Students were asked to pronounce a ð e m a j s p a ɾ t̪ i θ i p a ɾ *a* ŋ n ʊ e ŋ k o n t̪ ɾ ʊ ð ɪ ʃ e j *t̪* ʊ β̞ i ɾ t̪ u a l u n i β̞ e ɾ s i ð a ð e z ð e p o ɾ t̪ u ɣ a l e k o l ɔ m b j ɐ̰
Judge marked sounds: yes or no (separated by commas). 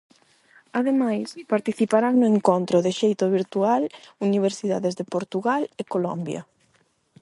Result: yes, yes